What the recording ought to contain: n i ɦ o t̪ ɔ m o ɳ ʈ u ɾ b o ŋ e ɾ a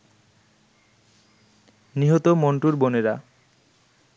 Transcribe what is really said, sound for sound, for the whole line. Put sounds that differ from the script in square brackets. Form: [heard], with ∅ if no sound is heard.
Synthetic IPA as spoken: n i ɦ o t̪ [o] m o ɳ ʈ u ɾ b o [n] e ɾ a